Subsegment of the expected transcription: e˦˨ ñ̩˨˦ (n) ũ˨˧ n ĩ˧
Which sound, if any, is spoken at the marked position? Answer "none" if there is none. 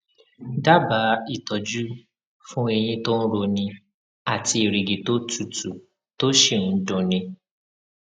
d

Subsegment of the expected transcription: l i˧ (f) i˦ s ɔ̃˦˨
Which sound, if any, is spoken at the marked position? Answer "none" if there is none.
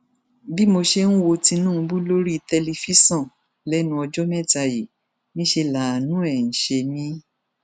f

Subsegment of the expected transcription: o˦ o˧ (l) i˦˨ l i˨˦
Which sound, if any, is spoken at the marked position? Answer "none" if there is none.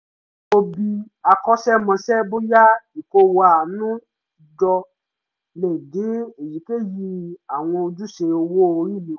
ɾ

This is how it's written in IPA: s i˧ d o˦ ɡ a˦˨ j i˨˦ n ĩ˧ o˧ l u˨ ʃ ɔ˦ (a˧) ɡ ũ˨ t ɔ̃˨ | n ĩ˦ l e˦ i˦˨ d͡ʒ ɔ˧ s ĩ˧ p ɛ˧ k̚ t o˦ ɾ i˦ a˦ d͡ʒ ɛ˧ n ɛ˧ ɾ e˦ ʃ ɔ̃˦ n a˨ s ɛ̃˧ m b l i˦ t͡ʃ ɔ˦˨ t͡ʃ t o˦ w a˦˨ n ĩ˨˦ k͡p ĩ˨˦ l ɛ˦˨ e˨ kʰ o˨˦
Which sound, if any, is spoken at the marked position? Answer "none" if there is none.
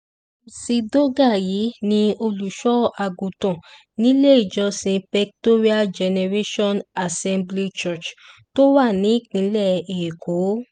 a˧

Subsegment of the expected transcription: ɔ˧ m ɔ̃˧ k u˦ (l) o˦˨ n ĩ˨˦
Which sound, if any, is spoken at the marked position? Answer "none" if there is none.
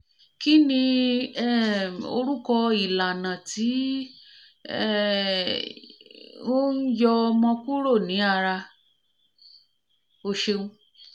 ɾ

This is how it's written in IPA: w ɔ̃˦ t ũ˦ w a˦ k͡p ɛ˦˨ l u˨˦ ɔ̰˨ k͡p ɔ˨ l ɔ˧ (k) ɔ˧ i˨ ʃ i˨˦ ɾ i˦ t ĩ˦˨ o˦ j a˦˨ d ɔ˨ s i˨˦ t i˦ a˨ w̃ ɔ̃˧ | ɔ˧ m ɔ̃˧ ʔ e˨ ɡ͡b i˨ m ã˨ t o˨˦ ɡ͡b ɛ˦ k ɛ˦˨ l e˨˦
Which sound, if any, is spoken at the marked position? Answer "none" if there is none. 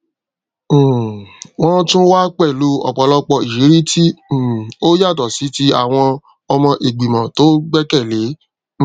k͡p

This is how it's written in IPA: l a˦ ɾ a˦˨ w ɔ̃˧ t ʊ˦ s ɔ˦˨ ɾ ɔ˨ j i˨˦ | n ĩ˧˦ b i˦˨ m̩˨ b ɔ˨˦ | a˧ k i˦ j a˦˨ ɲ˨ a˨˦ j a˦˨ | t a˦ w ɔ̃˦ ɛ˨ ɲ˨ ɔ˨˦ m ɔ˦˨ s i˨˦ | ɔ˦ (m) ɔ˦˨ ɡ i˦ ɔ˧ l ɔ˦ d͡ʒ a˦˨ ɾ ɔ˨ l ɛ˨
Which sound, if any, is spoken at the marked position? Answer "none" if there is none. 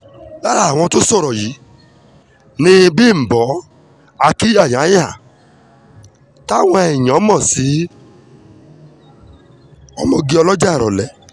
m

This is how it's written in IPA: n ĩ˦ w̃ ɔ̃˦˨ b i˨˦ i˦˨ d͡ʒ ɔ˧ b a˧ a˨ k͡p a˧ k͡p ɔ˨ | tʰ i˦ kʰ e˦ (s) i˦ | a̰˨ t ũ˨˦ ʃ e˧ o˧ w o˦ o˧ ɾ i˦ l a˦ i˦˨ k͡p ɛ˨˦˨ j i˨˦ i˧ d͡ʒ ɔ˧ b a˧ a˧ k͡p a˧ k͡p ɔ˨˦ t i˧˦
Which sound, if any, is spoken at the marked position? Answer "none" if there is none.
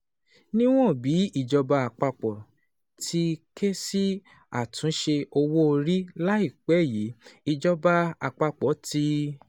s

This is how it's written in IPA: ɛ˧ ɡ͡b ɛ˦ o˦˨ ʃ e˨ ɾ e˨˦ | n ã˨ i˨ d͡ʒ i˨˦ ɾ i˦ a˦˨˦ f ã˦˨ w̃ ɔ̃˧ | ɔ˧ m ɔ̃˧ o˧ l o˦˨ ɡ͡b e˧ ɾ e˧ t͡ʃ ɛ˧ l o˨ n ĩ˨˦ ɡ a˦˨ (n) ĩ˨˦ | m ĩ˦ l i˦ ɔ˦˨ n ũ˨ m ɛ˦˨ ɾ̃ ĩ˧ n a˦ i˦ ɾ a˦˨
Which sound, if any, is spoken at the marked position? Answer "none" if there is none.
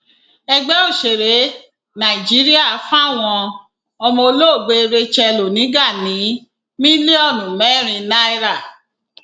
n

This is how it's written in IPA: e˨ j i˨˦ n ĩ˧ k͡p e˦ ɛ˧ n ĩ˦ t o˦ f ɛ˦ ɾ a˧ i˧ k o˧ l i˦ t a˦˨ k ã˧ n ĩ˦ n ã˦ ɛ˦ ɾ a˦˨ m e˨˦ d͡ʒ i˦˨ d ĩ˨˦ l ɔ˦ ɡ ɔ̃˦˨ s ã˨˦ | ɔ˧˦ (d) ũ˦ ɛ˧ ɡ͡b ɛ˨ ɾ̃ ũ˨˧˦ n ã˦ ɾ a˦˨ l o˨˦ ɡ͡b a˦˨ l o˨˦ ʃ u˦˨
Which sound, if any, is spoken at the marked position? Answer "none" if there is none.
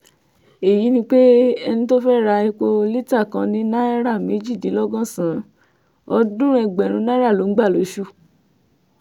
d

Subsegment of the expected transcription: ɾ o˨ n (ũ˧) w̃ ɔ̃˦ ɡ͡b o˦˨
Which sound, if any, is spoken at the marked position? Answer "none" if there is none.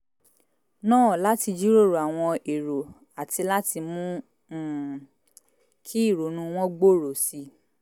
ũ˧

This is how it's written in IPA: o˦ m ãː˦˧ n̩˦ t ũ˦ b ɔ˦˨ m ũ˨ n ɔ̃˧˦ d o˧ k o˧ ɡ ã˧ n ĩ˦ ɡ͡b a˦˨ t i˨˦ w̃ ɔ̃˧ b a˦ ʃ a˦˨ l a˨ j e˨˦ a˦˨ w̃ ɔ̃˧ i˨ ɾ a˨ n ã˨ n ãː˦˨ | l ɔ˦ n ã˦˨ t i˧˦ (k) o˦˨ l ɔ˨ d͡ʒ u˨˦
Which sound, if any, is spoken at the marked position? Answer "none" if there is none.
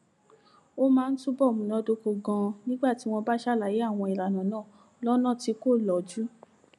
k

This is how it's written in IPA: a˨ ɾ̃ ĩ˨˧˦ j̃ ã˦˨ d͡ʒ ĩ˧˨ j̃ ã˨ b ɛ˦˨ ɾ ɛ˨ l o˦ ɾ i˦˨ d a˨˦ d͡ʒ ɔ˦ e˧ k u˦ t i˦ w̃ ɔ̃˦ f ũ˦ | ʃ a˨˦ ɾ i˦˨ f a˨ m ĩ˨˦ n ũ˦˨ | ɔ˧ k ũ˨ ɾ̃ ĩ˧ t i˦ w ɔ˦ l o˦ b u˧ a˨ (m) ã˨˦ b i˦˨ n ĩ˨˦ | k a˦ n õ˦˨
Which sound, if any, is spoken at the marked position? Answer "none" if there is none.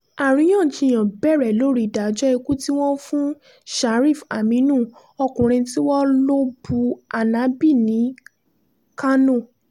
n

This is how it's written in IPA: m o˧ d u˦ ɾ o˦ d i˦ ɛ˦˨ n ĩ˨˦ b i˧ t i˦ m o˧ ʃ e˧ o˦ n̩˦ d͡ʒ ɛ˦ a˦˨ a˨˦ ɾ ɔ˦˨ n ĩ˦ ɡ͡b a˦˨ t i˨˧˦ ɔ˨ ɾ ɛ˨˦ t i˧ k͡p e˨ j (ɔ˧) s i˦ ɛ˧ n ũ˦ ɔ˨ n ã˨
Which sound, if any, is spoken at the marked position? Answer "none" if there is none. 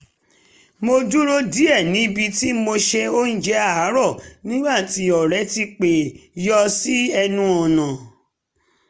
ɔ˧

